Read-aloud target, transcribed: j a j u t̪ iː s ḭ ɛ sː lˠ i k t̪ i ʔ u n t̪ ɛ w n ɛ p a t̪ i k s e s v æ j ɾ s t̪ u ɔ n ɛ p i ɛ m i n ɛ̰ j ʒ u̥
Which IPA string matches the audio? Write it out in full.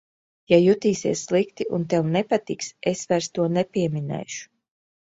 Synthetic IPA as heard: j a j u t̪ iː s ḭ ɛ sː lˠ i k t̪ i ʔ u n t̪ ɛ w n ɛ p a t̪ i k s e s v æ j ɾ s t̪ u ɔ n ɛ p i ɛ m i n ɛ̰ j ʃ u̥